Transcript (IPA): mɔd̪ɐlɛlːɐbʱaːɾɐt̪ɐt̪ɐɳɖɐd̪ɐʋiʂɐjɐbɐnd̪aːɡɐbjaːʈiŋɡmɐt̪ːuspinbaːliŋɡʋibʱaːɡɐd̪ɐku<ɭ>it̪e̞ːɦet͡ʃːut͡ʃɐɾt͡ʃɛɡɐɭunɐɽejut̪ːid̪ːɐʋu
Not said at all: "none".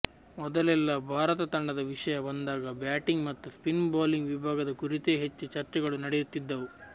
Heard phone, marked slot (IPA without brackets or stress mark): ɾ